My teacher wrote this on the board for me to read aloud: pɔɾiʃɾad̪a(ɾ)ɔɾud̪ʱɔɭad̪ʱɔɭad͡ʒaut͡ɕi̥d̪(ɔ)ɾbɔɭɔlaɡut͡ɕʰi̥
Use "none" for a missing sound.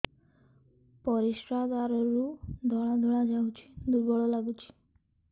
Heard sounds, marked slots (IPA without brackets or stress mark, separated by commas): ɾ, u